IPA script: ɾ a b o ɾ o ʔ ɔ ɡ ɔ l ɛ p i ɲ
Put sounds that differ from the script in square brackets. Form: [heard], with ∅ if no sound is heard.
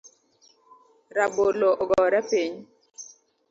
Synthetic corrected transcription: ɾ a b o [l] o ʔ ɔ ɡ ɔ [ɾ] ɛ p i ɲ